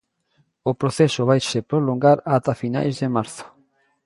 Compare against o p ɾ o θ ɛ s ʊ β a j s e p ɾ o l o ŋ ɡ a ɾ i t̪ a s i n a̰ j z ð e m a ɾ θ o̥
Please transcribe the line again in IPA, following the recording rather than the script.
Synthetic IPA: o p ɾ o θ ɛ s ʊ β a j s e p ɾ o l o ŋ ɡ a ɾ a t̪ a f i n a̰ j z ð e m a ɾ θ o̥